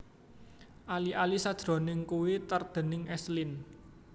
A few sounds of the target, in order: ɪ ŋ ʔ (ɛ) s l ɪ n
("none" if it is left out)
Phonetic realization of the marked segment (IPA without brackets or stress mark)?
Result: ɛ